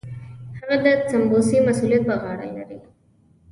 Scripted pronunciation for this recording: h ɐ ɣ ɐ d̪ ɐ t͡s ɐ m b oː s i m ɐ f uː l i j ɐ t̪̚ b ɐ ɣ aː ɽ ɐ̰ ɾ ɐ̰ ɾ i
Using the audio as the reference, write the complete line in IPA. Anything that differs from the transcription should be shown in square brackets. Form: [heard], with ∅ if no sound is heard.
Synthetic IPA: h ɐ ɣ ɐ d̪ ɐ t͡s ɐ m b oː s i m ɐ [s] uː l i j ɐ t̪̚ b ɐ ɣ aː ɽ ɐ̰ [l] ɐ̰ ɾ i